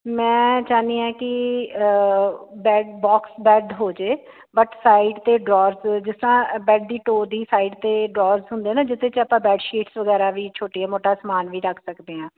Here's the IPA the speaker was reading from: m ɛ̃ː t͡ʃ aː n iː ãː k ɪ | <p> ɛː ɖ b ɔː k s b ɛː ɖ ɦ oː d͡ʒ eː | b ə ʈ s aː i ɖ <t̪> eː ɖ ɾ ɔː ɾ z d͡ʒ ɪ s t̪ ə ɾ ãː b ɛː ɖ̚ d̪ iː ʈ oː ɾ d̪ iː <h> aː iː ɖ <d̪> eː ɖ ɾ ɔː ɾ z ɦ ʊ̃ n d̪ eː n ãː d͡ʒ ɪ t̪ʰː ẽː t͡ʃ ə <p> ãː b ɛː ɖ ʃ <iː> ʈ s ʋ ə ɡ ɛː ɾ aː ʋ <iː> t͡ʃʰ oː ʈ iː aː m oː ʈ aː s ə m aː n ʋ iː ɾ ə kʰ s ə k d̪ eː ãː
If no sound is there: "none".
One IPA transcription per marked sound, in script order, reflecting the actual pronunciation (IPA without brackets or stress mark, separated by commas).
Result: b, t̪, s, t̪, p, iː, iː